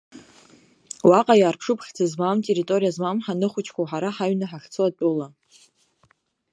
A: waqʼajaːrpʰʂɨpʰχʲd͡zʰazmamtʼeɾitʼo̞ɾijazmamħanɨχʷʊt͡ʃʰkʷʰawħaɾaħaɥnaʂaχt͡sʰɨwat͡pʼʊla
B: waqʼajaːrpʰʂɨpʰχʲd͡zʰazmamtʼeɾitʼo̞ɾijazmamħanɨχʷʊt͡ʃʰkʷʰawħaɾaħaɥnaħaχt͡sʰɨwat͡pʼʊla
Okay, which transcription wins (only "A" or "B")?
B